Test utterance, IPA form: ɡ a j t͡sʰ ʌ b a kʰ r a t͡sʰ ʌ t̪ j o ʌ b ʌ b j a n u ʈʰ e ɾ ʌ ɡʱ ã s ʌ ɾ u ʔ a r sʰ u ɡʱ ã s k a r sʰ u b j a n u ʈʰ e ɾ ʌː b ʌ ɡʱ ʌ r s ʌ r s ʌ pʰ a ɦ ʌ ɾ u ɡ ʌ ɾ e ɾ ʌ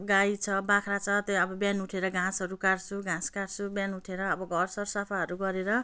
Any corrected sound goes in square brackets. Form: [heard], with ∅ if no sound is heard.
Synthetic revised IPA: ɡ a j t͡sʰ ʌ b a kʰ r a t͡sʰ ʌ t̪ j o ʌ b ʌ b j a n u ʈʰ e ɾ ʌ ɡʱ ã s ʌ ɾ u [k] a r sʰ u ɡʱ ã s k a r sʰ u b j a n u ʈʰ e ɾ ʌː b ʌ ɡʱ ʌ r s ʌ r s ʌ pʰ a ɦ ʌ ɾ u ɡ ʌ ɾ e ɾ ʌ